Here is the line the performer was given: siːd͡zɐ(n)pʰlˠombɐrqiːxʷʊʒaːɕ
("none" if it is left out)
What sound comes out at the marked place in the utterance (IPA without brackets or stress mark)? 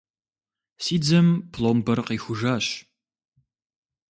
m